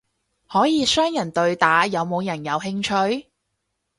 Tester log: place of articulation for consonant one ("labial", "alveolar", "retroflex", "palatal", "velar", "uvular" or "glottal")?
glottal